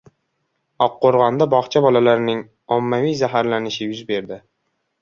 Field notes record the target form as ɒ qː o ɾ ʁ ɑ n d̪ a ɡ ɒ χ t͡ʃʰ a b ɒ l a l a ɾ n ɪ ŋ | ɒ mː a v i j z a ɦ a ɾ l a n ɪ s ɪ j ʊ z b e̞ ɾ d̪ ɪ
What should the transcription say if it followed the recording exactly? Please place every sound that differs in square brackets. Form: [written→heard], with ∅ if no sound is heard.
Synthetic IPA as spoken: ɒ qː o ɾ ʁ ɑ n d̪ a [ɡ→b] ɒ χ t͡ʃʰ a b ɒ l a l a ɾ n ɪ ŋ | ɒ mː a v i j z a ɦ a ɾ l a n ɪ [s→ʃ] ɪ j ʊ z b e̞ ɾ d̪ ɪ